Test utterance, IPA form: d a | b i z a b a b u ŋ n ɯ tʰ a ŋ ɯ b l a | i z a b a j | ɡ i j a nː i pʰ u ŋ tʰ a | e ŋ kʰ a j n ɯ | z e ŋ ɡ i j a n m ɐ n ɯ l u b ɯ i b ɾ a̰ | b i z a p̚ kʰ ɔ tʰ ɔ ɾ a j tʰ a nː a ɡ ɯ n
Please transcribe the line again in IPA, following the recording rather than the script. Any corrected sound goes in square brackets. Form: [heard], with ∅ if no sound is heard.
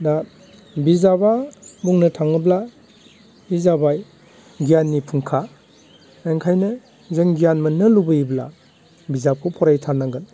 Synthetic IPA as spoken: d a | b i z a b a b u ŋ n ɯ tʰ a ŋ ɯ b l a | i z a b a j | ɡ i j a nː i pʰ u ŋ [kʰ] a | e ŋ kʰ a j n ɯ | z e ŋ ɡ i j a n m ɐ n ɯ l u b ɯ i b [l] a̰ | b i z a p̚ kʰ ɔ [pʰ] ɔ ɾ a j tʰ a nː a ɡ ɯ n